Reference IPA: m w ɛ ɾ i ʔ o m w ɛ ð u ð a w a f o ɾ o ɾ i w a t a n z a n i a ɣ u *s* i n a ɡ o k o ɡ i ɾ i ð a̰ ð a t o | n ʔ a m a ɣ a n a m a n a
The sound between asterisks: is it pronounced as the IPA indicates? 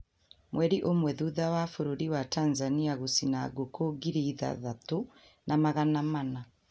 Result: yes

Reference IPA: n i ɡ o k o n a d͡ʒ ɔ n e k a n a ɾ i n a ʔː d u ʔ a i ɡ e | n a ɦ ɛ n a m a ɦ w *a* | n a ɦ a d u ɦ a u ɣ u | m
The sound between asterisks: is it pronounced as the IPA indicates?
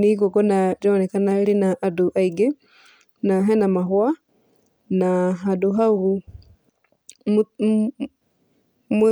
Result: yes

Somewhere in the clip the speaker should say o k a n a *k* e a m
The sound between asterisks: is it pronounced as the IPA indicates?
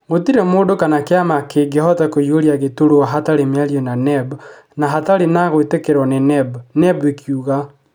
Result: yes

